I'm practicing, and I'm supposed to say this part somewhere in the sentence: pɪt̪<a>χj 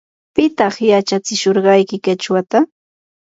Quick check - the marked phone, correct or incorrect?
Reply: incorrect